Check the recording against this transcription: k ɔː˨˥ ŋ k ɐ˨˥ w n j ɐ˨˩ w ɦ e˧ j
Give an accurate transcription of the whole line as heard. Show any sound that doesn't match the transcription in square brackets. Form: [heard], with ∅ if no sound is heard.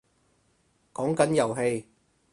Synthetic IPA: k ɔː˨˥ ŋ k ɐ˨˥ [∅] n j ɐ˨˩ w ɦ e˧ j